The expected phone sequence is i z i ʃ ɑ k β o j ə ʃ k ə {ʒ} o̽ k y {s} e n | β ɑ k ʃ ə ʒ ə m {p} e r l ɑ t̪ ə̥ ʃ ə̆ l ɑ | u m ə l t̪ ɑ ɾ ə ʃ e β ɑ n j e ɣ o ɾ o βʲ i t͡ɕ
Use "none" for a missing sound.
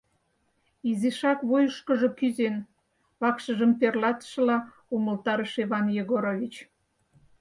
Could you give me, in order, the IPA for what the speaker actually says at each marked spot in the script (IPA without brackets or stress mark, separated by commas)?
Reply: ʒ, z, p